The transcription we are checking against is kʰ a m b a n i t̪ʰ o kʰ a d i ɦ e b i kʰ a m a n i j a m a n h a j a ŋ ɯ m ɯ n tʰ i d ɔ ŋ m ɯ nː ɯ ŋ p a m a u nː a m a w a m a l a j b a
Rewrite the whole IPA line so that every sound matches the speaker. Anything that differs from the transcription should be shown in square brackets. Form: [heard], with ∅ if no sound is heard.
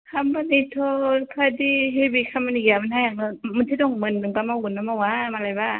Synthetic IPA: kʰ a m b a n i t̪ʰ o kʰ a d i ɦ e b i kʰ a m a n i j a m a n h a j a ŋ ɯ m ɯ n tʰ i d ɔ ŋ m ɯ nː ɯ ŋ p a m a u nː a m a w a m a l a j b a